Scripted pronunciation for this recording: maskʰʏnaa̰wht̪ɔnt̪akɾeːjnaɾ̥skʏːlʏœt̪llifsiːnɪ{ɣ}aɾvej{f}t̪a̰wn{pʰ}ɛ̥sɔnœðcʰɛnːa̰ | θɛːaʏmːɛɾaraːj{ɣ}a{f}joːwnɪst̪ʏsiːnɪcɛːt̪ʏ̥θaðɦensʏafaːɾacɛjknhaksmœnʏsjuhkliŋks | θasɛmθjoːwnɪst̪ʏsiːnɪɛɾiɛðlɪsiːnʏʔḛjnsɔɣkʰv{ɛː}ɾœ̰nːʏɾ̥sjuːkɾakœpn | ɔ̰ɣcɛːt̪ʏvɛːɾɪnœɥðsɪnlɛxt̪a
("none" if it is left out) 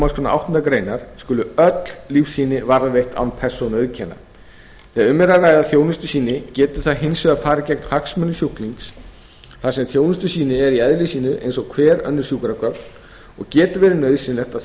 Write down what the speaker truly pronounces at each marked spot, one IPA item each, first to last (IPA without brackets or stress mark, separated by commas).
v, h, pʰ, ð, θ, ɛː